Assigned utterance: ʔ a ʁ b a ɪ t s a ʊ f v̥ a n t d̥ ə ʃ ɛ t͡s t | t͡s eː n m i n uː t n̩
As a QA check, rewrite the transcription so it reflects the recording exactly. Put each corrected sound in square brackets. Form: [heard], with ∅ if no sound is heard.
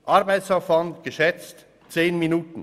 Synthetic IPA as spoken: ʔ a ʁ b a ɪ t s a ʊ f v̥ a n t [ɡ̥] ə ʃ ɛ t͡s t | t͡s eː n m i n uː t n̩